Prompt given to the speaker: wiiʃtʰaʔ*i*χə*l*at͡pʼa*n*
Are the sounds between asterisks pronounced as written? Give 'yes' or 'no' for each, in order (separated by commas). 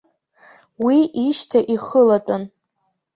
yes, yes, yes